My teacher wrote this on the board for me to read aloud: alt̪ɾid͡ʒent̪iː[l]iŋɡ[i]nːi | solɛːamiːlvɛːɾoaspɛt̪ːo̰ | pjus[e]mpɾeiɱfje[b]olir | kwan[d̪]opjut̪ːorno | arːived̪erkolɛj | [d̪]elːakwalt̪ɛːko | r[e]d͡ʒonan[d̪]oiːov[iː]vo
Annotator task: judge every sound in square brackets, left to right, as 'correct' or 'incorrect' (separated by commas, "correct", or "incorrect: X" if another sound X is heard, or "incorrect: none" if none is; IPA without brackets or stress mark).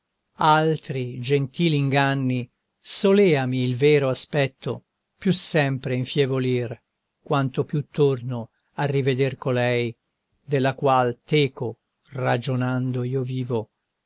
correct, incorrect: a, incorrect: ɛ, incorrect: v, incorrect: t̪, correct, incorrect: a, correct, correct